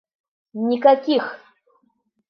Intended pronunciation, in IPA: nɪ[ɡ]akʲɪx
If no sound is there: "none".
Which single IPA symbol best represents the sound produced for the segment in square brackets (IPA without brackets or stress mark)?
k